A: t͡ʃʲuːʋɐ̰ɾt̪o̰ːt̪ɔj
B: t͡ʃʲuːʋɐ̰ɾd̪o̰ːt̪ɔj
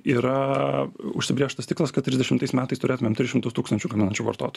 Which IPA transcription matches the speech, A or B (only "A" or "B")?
A